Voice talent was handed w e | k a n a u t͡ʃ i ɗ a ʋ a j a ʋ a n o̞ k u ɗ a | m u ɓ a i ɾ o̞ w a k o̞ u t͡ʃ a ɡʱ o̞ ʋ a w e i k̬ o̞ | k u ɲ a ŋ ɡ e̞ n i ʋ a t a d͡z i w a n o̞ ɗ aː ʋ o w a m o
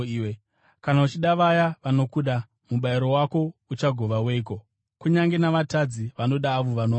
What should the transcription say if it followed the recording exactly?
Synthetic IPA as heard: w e | k a n a u t͡ʃ i ɗ a ʋ a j a ʋ a n o̞ k u ɗ a | m u ɓ a i ɾ o̞ w a k o̞ u t͡ʃ a ɡʱ o̞ ʋ a w e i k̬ o̞ | k u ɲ a ŋ ɡ e̞ n a ʋ a t a d͡z i ʋ a n o̞ ɗ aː ʋ o ʋ a n o